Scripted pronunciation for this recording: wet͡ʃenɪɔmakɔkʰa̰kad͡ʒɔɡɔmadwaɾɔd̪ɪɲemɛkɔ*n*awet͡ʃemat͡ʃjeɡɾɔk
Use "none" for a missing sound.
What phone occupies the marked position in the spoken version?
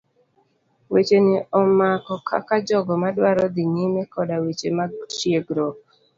d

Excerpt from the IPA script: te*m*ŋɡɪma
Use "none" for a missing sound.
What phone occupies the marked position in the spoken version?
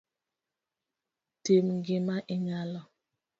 m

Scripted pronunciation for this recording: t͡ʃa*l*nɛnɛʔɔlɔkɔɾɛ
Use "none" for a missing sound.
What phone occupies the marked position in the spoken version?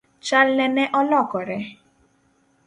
l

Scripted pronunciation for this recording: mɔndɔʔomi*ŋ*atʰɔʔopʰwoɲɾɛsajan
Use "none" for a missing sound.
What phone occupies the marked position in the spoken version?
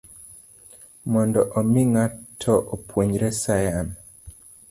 ŋ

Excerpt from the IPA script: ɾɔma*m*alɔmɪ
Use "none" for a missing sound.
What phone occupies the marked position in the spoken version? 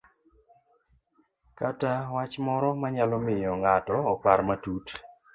ɲ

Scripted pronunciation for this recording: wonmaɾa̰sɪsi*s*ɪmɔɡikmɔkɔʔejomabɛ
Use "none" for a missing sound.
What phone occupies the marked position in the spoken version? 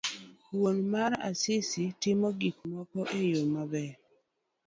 t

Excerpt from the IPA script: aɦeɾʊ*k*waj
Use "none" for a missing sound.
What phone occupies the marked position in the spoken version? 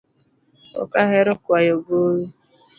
k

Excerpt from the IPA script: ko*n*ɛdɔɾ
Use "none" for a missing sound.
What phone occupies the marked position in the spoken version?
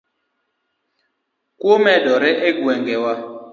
m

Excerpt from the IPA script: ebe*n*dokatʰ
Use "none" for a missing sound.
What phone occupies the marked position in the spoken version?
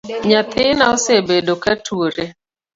none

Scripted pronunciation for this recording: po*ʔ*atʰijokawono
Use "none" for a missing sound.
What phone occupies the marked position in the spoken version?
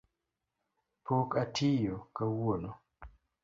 k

